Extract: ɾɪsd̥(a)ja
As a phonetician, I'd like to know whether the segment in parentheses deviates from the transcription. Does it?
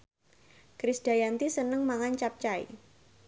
no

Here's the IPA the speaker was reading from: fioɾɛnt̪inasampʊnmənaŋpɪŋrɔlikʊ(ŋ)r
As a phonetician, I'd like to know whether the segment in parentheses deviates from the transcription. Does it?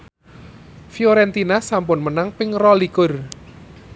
yes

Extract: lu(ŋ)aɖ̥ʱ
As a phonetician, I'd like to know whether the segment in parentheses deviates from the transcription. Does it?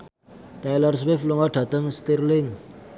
no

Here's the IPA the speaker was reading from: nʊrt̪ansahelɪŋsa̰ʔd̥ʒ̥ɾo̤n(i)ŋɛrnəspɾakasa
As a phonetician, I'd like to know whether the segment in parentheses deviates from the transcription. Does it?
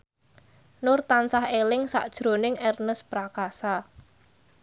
yes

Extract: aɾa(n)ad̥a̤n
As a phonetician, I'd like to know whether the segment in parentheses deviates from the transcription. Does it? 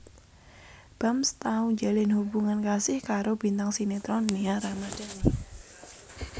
yes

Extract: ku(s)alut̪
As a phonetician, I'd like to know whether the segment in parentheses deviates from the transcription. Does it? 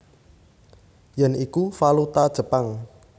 yes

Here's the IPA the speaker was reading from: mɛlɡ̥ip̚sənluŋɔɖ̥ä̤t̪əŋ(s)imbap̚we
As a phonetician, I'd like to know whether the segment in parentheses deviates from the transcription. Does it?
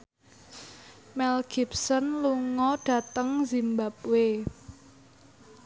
yes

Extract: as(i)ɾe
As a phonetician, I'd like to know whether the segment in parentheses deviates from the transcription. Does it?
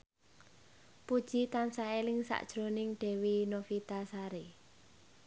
yes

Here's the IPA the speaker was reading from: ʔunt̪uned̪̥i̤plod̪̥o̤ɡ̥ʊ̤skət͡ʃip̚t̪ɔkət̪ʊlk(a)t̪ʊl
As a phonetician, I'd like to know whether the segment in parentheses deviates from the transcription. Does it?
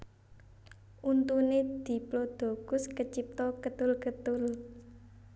yes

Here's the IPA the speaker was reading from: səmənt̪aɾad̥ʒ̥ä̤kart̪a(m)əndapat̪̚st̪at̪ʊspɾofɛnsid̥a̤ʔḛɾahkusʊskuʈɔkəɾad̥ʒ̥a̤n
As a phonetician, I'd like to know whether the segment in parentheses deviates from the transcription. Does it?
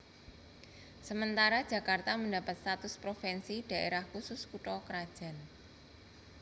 no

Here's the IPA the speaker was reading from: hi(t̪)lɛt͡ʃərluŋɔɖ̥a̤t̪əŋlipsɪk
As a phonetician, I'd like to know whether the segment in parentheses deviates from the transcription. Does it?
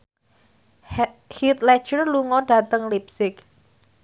no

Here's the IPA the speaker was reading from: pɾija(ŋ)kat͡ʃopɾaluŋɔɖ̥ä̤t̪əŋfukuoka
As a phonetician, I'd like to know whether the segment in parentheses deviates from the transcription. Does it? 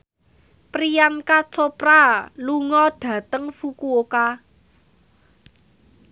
yes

